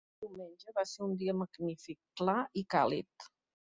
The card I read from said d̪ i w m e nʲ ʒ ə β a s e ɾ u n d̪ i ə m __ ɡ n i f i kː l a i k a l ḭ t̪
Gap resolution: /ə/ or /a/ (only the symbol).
ə